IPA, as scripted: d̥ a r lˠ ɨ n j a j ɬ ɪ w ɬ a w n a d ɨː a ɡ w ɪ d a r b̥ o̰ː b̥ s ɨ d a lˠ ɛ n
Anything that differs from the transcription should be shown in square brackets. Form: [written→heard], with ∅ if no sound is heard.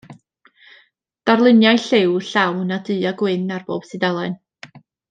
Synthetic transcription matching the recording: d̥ a r lˠ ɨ n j a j ɬ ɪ w ɬ a w n a d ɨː a ɡ w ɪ [d→n] a r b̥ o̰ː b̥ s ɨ d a lˠ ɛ n

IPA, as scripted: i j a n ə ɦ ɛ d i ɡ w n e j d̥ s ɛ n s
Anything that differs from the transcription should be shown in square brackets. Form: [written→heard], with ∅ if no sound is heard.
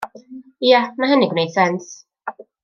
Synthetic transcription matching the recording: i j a n [ə→a] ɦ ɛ [d→n] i ɡ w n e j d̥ s ɛ n s

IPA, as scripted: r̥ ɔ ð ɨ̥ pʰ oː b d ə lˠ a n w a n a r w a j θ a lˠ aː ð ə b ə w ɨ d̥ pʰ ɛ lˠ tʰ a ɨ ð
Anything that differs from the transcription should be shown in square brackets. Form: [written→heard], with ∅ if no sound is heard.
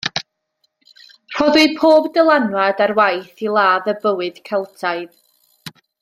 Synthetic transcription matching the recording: r̥ ɔ ð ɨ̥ pʰ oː b d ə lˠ a n w a [n→d] a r w a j θ [a→i] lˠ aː ð ə b ə w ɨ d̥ [pʰ→kʰ] ɛ lˠ tʰ a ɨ ð

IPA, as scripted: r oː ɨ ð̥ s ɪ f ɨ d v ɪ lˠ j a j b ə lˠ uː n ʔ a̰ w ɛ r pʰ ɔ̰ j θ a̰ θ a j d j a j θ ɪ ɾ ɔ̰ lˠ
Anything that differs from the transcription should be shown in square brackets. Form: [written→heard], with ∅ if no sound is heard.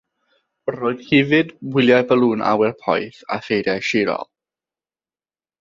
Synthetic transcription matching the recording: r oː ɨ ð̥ [s→h] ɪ [f→v] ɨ d [v→w] ɪ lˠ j a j b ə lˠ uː n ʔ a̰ w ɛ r pʰ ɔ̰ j θ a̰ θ [a→e] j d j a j [θ→ʃ] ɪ ɾ ɔ̰ lˠ

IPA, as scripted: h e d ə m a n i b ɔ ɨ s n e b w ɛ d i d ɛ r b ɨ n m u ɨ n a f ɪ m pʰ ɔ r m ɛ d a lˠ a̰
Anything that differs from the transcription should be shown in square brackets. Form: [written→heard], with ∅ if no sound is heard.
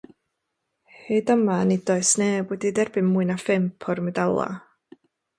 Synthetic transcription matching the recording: h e d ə m a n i [b→d] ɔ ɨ s n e b w ɛ d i d ɛ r b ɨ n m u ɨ n a f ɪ m pʰ ɔ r m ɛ d a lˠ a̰

